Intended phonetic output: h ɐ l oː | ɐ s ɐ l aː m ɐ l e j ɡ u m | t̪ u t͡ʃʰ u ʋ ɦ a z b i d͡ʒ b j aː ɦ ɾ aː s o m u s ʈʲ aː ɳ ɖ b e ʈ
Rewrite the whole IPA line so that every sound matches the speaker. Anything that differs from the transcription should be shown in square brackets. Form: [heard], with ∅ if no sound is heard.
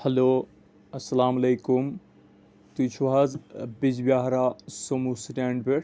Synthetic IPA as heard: h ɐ l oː | ɐ s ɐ l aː m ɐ l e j [k] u m | t̪ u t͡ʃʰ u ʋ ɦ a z b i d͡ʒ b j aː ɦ ɾ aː s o m u s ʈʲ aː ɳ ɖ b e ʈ